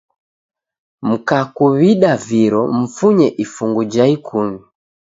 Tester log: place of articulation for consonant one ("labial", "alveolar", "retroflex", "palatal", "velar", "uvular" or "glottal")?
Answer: labial